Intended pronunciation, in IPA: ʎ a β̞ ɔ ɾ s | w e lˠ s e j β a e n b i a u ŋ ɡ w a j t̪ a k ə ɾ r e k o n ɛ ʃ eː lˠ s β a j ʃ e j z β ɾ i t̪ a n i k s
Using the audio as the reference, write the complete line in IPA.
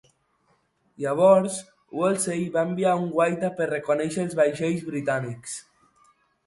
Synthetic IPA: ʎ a β̞ ɔ ɾ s | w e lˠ s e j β a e m b i a u ŋ ɡ w a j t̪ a p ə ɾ r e k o n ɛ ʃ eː lˠ z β a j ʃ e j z β ɾ i t̪ a n i k s